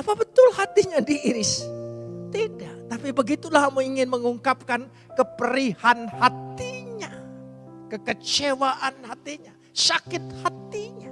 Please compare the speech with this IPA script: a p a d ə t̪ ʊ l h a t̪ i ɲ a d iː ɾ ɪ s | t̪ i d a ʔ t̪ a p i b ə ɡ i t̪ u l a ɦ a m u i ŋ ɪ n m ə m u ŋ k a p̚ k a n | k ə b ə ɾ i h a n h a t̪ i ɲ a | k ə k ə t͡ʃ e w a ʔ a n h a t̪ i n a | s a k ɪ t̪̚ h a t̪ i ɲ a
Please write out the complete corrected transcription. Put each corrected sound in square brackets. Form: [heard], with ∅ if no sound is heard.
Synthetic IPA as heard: a p a [b] ə t̪ ʊ l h a t̪ i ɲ a d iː ɾ ɪ s | t̪ i d a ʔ t̪ a p i b ə ɡ i t̪ u l a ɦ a m u i ŋ ɪ n m ə [ŋ] u ŋ k a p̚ k a n | k ə [p] ə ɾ i h a n h a t̪ i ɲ a | k ə k ə t͡ʃ e w a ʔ a n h a t̪ i [ɲ] a | s a k ɪ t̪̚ h a t̪ i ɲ a